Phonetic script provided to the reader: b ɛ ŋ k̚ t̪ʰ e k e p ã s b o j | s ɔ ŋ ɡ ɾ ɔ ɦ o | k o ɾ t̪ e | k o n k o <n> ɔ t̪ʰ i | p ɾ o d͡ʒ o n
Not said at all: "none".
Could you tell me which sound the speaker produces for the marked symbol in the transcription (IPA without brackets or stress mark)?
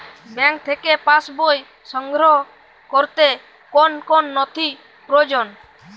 nː